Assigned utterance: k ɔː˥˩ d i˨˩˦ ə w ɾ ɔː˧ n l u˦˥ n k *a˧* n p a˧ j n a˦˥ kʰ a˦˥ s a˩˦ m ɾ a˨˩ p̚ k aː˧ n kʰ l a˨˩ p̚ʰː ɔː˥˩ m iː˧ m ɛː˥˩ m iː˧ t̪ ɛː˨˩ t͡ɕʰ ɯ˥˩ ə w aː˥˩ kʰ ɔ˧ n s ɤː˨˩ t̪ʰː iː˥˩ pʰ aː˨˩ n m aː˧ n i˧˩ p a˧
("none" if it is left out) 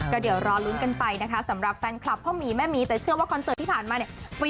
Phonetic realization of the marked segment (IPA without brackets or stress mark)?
a˧